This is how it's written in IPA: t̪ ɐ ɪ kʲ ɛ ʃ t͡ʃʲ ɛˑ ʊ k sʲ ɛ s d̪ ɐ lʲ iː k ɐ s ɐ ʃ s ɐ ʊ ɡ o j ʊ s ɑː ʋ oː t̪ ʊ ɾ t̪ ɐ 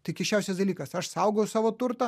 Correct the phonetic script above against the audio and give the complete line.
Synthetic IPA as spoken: t̪ ɐ ɪ kʲ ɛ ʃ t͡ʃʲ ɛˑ ʊ sʲ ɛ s d̪ ɐ lʲ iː k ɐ s ɐ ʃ s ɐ ʊ ɡ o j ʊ s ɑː ʋ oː t̪ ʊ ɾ t̪ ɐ